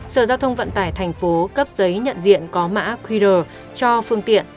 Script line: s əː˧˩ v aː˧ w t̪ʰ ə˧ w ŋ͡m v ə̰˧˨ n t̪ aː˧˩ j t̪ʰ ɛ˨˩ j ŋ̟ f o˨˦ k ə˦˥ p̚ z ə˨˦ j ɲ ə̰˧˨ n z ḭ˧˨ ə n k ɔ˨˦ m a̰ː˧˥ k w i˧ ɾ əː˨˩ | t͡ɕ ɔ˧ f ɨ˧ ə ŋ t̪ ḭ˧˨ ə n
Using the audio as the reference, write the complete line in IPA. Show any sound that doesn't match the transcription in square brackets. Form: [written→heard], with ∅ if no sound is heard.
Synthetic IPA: s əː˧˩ [v→z] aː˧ w t̪ʰ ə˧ w ŋ͡m v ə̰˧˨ n t̪ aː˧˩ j t̪ʰ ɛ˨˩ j ŋ̟ f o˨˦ k ə˦˥ p̚ z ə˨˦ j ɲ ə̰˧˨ n z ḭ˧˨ ə n k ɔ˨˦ m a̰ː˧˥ k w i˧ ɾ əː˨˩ | t͡ɕ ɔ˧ f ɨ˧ ə ŋ t̪ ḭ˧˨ ə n